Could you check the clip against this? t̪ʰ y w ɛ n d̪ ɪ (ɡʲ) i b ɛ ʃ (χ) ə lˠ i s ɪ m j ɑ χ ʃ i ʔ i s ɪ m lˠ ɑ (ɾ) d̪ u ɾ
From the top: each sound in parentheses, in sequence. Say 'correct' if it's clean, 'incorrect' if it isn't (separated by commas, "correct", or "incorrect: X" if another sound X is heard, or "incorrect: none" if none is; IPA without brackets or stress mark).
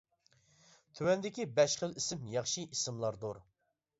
incorrect: kʲ, correct, correct